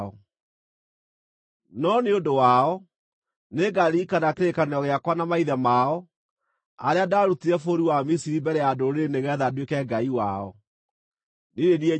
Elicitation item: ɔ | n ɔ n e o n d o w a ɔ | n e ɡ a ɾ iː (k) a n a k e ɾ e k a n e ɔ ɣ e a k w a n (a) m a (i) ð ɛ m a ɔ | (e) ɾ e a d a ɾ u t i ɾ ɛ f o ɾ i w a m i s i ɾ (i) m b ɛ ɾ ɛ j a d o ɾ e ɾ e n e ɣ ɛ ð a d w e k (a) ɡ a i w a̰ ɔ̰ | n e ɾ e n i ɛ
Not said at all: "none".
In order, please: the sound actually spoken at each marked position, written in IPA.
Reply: k, a, i, a, i, ɛ

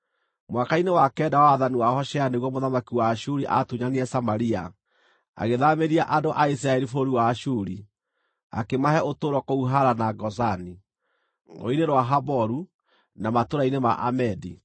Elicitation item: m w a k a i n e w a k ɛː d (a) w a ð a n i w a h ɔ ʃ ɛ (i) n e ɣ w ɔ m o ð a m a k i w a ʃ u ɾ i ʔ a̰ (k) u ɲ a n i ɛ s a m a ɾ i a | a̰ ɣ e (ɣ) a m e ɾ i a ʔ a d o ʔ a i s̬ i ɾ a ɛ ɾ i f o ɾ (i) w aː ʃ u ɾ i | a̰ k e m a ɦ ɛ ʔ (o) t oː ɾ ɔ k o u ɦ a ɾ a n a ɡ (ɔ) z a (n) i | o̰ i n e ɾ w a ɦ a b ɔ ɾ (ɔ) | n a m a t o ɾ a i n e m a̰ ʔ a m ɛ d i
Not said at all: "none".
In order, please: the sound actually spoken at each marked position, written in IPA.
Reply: a, a, t, ð, i, o, ɔ, n, u

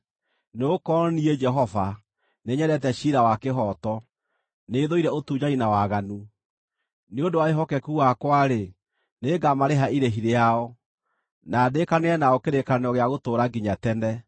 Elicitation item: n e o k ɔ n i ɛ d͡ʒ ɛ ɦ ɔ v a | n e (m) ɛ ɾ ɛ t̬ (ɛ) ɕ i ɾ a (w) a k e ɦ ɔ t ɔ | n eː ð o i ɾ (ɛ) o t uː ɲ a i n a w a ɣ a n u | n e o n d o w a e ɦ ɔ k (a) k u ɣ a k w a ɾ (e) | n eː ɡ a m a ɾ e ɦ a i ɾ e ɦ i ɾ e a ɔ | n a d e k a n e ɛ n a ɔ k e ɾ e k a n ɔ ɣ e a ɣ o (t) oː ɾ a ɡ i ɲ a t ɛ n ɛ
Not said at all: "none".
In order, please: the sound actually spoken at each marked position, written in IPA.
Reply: ɲ, ɛ, w, ɛ, ɛ, e, t

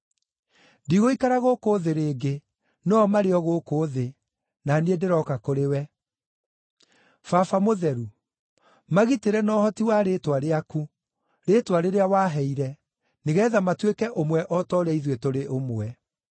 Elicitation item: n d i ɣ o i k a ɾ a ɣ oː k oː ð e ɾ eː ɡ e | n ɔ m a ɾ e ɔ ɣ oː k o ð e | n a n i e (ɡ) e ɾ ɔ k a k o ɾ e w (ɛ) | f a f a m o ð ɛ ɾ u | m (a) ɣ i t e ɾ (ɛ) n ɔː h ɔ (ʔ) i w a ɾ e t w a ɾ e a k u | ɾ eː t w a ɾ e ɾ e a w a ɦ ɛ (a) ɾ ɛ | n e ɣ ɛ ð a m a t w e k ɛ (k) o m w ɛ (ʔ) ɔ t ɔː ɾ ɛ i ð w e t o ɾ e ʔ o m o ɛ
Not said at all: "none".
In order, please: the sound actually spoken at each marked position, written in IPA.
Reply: d, ɛ, a, ɛ, t, i, ʔ, ʔ

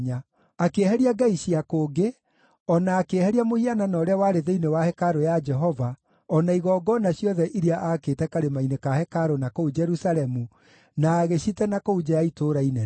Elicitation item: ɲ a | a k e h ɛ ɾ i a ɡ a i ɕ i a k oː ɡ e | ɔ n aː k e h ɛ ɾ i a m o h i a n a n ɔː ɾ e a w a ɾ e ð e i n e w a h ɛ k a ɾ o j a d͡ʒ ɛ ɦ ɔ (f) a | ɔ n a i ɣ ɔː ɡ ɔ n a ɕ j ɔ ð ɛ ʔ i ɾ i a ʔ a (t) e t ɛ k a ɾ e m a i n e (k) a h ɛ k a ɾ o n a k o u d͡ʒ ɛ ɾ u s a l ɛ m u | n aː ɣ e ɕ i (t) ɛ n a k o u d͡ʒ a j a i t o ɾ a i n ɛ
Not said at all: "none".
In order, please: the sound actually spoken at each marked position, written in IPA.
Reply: v, k, k, t

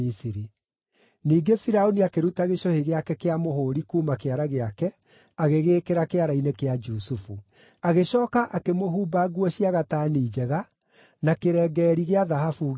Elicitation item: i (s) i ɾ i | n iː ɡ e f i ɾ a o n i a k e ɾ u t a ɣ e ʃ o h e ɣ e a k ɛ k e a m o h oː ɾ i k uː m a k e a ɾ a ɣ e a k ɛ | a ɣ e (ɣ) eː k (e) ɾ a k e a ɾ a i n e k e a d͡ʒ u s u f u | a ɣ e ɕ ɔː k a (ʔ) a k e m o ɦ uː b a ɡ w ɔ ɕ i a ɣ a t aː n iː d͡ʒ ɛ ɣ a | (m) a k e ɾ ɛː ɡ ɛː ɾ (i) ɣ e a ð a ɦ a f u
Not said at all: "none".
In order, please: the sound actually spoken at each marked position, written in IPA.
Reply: s, ɣ, e, ʔ, n, i

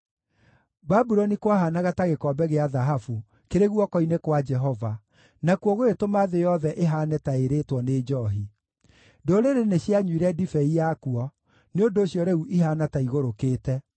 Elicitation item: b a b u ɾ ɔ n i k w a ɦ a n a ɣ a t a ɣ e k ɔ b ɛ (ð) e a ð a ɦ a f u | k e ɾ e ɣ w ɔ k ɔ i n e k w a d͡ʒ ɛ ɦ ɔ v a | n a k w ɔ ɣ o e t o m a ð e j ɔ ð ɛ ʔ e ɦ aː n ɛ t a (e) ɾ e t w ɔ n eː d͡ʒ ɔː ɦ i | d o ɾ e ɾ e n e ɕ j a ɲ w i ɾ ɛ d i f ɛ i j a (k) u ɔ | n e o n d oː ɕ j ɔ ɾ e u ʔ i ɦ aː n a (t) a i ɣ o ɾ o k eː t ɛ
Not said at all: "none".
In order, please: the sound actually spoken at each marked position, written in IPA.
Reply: ɣ, e, k, t

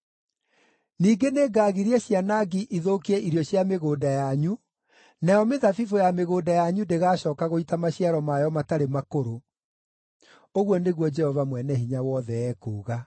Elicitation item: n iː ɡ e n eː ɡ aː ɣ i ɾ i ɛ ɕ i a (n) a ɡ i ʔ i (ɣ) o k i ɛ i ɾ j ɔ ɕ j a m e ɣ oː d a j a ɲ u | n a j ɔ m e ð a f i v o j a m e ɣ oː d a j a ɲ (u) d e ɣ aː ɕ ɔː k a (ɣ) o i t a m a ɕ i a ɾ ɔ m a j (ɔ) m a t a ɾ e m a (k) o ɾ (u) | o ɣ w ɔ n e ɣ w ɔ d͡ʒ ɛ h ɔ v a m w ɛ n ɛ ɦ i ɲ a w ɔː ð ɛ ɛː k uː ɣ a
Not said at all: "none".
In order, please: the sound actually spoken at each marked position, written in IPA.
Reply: n, ð, u, ɣ, ɔ, k, o

